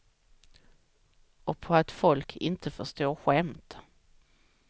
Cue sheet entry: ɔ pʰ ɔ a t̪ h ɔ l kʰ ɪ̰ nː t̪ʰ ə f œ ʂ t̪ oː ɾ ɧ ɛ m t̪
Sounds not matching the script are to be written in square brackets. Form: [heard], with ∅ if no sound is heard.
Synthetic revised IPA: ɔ pʰ ɔ a t̪ [f] ɔ l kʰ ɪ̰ [n] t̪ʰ ə f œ ʂ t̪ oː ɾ ɧ ɛ m t̪